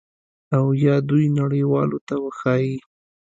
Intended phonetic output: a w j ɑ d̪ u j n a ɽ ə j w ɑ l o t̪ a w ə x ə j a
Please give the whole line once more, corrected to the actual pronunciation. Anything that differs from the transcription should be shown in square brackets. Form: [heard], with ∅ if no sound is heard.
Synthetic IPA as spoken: a w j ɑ d̪ u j n a ɽ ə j w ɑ l o t̪ a w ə x [ɑ] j [i]